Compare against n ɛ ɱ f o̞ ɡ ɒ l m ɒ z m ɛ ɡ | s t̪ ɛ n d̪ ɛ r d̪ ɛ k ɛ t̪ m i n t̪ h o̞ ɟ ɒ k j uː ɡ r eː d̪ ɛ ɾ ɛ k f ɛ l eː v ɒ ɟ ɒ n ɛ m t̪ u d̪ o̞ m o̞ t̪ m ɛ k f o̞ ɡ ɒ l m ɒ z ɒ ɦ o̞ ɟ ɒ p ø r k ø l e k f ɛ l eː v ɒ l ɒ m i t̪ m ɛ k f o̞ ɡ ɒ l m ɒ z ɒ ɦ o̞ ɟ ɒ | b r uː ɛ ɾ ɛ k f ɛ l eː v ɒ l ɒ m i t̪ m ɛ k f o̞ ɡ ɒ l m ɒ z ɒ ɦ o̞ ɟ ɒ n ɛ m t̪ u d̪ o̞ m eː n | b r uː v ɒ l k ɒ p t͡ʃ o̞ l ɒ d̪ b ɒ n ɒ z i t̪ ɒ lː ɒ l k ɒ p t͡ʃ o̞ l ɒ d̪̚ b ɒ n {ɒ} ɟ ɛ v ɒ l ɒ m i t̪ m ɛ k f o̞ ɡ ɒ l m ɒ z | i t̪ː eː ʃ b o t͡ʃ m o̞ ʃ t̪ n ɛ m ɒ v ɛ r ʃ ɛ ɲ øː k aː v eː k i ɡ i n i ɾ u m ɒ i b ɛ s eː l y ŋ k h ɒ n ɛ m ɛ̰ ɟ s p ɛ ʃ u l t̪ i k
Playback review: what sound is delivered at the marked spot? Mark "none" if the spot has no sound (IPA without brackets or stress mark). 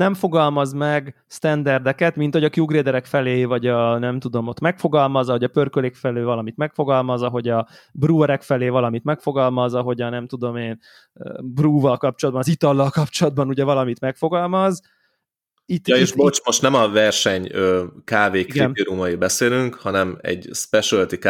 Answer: u